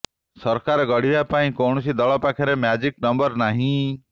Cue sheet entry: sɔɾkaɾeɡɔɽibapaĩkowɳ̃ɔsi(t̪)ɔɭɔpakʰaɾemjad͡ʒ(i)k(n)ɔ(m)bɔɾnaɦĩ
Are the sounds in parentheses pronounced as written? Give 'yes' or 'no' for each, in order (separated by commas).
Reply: no, yes, yes, yes